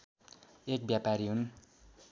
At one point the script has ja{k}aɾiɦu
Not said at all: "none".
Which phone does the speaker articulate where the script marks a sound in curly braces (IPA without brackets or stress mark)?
p